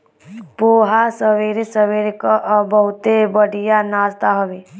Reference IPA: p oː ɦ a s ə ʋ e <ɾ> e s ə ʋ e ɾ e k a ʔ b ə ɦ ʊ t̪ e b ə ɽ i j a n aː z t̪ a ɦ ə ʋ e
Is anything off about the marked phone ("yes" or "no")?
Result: no